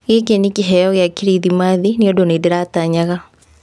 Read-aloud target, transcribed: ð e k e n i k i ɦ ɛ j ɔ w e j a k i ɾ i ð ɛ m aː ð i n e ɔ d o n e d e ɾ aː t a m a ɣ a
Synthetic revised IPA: ɣ e k e n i k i ɦ ɛ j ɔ ɣ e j a k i ɾ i ð i m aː ð i n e o d o n e d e ɾ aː t a ɲ a ɣ a